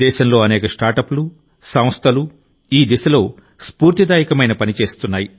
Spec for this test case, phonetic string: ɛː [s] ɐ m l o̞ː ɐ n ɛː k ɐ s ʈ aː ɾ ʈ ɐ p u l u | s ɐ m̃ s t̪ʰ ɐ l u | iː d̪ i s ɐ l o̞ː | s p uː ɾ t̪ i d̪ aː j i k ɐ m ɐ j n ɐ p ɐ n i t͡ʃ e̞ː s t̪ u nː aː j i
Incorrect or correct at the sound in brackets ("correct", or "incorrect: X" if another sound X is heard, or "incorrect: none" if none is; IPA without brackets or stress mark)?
incorrect: ʃ